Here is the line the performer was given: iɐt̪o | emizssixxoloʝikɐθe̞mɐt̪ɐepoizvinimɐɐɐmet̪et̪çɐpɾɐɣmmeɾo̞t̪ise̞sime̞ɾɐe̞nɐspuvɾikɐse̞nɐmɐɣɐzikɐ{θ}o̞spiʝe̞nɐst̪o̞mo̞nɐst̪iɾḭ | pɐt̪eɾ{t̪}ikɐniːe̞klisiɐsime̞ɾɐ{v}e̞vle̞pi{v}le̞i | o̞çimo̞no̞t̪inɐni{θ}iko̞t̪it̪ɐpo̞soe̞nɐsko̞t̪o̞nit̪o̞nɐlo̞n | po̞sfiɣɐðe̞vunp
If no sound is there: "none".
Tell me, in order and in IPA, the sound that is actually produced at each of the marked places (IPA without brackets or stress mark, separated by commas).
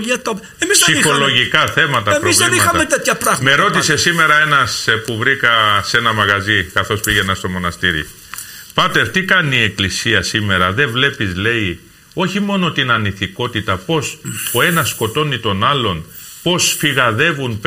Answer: θ, t̪, ð, z, θ